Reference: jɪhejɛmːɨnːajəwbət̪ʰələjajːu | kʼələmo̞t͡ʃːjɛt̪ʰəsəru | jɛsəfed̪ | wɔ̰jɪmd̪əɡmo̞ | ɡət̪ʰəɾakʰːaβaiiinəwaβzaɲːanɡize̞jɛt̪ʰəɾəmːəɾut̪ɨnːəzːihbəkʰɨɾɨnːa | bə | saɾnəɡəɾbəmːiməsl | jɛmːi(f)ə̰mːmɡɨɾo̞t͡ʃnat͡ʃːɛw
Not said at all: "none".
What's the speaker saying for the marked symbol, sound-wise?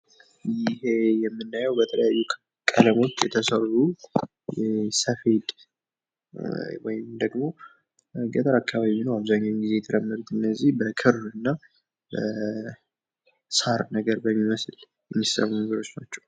s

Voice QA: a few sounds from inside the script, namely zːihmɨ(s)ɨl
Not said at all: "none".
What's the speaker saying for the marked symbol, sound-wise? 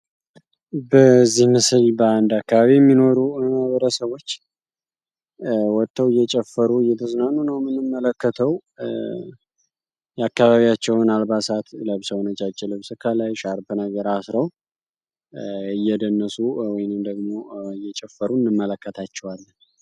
s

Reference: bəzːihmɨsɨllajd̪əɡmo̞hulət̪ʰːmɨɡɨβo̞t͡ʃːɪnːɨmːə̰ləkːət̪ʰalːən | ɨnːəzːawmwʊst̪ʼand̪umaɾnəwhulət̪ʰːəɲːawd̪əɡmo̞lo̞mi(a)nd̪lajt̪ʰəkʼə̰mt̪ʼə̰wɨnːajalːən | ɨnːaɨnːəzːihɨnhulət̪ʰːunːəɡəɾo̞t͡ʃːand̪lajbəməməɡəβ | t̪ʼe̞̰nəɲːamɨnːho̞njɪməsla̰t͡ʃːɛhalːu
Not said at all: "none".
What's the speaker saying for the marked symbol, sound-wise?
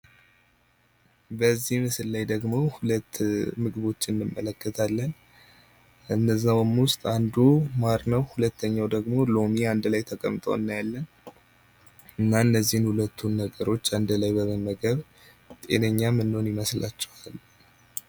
a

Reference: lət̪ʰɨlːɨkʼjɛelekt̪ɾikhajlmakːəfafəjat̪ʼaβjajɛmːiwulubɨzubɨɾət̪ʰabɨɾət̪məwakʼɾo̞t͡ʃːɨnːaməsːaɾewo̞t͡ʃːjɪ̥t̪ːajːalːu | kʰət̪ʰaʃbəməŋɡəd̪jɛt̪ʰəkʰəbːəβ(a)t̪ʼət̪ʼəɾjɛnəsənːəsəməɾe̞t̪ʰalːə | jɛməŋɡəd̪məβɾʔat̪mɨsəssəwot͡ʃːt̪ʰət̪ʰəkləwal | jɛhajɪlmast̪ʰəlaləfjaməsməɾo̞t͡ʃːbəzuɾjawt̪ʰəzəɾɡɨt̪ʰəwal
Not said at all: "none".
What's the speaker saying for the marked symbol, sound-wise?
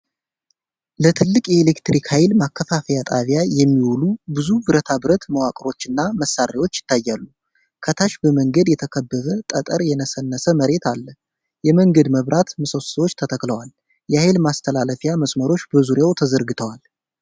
ə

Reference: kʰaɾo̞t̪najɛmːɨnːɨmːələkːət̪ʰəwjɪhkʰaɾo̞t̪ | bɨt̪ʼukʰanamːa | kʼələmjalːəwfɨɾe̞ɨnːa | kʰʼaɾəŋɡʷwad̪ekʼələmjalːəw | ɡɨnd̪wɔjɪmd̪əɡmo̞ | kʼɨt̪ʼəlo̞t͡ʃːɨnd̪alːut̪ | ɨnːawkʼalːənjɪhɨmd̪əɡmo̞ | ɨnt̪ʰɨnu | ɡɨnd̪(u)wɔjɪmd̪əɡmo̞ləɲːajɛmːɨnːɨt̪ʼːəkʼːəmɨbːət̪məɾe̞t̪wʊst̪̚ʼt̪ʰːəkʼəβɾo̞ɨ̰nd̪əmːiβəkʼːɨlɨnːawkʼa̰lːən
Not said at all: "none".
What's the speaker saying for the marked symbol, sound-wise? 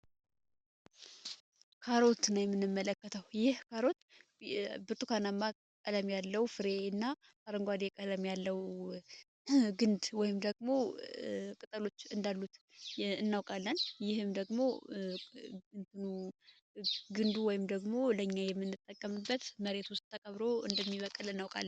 u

